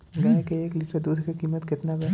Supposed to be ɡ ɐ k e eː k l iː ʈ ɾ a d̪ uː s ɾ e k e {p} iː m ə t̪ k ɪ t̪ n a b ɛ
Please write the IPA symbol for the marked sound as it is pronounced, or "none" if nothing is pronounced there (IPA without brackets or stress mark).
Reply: k